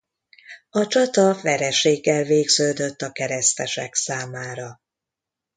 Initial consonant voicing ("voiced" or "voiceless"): voiceless